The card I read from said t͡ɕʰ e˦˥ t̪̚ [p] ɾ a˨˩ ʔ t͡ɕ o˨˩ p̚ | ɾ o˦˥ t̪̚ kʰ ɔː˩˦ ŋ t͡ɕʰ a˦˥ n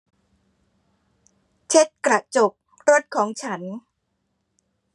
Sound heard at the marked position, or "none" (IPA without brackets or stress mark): k